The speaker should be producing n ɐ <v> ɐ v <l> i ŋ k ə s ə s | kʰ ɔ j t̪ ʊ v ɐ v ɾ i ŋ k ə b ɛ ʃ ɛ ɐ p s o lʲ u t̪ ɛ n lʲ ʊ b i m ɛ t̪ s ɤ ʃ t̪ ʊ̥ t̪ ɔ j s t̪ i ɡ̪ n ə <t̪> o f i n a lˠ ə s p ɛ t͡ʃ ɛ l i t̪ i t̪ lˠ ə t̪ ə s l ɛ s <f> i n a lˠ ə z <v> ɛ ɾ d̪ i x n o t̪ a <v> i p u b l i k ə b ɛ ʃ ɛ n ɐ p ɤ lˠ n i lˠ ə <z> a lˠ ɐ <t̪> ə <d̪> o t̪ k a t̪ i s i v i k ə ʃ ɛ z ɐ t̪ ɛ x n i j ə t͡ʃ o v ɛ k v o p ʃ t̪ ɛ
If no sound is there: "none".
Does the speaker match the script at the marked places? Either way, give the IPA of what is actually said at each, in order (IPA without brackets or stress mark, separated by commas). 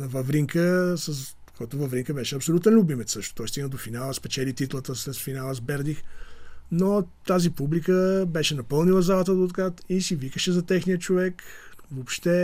v, ɾ, d̪, f, b, z, z, t̪, d̪